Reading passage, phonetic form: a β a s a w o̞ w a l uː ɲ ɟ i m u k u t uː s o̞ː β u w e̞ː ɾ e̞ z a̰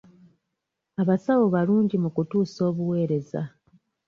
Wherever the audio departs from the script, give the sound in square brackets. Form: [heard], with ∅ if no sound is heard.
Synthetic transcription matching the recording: a β a s a w o̞ [β] a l uː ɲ ɟ i m u k u t uː s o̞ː β u w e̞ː ɾ e̞ z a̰